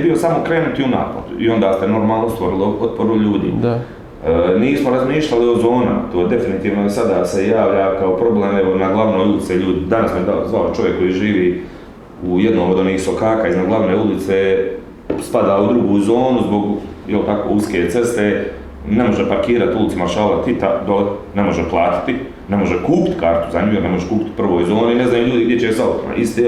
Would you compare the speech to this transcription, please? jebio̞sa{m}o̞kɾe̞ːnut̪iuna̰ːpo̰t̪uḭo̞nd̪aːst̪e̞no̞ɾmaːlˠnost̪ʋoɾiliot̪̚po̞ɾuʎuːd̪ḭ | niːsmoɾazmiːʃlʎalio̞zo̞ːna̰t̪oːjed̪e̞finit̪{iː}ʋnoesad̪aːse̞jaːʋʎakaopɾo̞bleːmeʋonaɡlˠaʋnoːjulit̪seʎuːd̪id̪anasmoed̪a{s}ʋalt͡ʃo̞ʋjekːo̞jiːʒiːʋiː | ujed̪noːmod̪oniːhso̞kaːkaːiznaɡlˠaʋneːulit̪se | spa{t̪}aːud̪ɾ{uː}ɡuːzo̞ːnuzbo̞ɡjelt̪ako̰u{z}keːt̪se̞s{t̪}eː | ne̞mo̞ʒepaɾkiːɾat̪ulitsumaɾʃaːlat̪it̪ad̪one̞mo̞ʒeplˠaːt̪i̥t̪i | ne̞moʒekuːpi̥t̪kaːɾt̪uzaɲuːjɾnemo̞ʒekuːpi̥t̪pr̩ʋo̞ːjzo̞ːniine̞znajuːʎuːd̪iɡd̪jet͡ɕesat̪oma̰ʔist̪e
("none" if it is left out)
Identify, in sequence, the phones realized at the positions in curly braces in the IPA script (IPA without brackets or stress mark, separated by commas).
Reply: m, iː, z, d̪, u, s, t̪